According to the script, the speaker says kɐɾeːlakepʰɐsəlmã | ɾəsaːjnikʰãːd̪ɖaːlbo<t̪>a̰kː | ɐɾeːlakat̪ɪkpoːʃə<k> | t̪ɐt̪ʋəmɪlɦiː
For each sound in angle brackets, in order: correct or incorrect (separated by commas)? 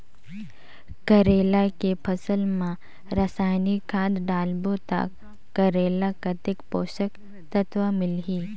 correct, correct